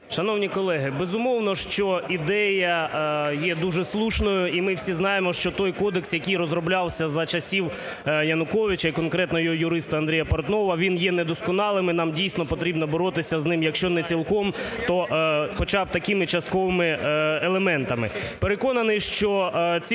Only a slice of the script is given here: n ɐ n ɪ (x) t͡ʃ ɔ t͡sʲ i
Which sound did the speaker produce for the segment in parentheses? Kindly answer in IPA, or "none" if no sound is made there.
ʃ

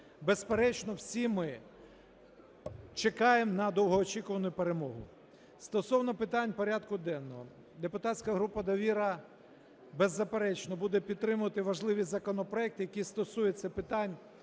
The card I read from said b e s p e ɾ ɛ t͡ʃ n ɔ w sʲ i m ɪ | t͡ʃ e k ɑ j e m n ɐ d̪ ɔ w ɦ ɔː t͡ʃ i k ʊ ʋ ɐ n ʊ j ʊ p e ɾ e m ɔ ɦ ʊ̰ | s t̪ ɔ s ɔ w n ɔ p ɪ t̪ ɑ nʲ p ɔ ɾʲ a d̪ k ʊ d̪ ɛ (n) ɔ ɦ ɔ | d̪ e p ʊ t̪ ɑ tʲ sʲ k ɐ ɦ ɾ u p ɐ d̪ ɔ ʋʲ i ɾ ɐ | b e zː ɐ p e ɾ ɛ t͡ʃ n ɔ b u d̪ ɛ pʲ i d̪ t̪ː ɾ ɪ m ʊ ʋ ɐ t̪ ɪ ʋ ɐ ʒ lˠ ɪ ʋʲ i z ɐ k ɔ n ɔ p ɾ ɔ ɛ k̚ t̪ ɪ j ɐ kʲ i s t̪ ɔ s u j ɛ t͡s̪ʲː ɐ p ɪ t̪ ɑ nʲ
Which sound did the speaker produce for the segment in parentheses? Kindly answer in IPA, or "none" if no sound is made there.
nː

